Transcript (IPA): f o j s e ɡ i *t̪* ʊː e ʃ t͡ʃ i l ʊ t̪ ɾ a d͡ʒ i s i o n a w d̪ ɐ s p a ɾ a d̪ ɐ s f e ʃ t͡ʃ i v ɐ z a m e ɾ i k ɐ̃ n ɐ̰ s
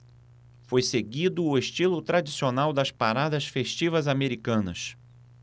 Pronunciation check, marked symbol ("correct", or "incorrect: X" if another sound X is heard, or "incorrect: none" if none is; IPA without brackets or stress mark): incorrect: d̪